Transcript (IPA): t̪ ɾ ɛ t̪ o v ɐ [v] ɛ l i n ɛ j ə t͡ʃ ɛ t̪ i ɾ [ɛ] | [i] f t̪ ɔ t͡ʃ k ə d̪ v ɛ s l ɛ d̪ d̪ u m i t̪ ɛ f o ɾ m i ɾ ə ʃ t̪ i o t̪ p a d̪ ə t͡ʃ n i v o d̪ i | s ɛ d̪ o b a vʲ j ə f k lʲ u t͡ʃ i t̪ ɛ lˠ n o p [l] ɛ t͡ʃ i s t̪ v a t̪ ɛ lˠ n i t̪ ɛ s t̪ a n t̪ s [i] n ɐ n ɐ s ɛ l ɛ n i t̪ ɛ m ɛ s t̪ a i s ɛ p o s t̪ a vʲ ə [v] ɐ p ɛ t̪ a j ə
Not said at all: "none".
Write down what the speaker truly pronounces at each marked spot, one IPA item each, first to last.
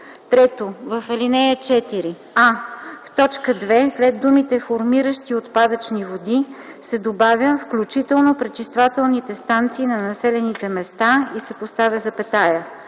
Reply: f, i, a, ɾ, iː, z

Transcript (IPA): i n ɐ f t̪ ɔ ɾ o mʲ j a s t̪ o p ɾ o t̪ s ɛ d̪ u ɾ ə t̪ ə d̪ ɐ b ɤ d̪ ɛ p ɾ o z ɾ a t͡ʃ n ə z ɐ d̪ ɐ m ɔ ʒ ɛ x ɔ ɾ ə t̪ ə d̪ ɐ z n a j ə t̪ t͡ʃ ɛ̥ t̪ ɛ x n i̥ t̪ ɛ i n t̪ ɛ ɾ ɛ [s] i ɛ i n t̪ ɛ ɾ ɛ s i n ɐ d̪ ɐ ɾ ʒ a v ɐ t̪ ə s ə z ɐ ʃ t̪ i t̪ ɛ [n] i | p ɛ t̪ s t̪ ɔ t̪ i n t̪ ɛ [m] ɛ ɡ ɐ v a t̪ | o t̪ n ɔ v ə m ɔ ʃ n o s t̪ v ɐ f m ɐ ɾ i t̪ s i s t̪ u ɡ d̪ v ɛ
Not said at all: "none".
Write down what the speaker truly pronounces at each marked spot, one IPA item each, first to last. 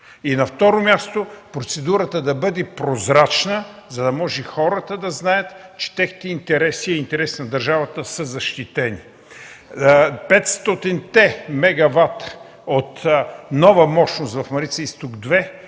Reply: s, n, m

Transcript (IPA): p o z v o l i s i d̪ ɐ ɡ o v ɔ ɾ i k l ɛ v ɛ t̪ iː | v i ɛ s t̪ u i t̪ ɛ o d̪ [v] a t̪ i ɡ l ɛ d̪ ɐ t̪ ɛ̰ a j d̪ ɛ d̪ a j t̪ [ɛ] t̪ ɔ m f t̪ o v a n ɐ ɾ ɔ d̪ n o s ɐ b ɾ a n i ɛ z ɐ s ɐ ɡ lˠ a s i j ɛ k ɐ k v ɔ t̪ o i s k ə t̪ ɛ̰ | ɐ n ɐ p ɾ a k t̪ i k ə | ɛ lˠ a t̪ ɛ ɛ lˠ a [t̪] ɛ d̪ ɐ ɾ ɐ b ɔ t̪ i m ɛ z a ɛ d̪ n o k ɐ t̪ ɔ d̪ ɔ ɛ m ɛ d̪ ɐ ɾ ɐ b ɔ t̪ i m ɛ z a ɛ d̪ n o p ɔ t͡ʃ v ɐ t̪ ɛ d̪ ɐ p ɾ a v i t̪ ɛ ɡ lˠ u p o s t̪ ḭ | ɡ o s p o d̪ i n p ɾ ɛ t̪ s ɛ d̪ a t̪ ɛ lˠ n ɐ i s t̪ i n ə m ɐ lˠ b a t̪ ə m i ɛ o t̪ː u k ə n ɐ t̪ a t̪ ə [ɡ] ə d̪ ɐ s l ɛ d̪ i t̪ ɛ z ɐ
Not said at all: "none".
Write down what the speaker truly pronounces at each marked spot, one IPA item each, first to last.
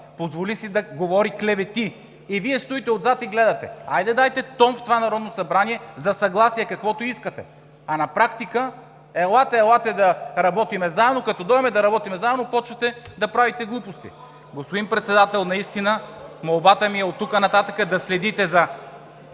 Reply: z, ɛ, t̪, k

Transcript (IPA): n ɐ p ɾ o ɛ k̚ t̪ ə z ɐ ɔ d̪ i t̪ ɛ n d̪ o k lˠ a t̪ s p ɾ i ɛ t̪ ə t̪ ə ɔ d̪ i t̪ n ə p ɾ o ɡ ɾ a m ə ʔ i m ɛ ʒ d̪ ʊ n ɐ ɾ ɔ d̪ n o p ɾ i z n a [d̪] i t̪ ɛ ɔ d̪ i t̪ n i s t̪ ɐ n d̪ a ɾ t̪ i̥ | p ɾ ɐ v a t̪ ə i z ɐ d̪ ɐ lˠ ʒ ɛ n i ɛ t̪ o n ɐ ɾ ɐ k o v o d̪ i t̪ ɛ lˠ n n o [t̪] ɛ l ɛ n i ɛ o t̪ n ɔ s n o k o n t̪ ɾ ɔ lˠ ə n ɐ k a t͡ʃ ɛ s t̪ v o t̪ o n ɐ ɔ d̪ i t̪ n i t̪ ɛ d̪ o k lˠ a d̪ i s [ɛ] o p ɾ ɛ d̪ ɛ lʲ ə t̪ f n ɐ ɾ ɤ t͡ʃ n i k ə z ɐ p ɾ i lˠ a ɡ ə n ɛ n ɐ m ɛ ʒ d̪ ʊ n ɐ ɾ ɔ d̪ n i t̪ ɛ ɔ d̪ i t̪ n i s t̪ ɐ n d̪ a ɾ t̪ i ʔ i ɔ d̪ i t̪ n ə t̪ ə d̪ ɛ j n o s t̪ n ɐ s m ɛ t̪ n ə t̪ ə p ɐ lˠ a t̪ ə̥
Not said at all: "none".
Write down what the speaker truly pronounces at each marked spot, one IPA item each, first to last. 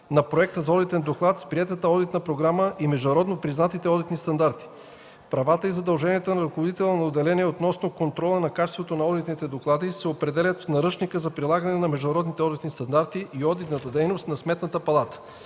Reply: t̪, d̪, ɛ

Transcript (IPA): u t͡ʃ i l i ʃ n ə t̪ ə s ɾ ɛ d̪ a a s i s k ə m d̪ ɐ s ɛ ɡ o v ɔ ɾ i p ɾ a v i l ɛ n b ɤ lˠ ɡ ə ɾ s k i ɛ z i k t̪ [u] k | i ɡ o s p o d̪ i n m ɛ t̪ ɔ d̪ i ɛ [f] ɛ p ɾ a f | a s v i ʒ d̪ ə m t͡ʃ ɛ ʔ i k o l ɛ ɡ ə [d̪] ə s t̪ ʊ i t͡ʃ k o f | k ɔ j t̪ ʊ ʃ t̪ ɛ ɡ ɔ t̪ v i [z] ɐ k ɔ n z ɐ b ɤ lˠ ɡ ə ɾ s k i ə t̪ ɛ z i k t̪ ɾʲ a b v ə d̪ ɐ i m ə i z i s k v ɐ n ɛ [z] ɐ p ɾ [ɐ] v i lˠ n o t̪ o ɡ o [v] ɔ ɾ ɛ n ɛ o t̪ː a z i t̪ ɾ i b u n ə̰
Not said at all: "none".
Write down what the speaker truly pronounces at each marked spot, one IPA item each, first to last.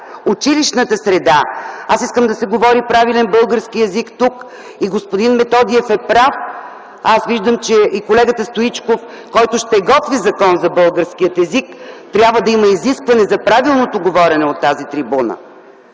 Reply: u, f, t̪, z, z, a, v

